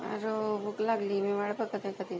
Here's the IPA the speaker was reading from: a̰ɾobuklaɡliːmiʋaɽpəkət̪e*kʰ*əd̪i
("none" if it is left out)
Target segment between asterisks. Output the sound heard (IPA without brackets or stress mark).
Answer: k